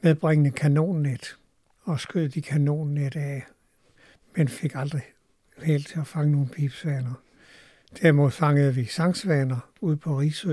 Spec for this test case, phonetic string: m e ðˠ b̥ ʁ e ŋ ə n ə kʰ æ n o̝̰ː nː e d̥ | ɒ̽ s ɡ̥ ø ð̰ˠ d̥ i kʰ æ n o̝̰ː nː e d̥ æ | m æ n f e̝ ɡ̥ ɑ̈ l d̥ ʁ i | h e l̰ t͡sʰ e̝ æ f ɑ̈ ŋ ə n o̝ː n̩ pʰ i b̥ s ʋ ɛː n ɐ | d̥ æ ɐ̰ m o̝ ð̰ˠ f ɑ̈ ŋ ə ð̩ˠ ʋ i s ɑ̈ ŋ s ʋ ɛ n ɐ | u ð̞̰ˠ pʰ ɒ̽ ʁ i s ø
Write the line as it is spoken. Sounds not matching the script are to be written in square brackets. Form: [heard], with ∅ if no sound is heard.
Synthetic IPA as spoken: m e ðˠ b̥ ʁ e ŋ ə n ə kʰ æ n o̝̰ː nː e d̥ | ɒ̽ s ɡ̥ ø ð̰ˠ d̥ i kʰ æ n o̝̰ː nː e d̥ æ | m [e] n f e̝ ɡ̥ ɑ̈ l d̥ ʁ i | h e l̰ t͡sʰ e̝ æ f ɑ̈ ŋ ə n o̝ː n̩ pʰ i b̥ s ʋ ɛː n ɐ | d̥ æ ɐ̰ m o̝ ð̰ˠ f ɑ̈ ŋ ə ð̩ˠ ʋ i s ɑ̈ ŋ s ʋ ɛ n ɐ | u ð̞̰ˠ pʰ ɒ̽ ʁ i s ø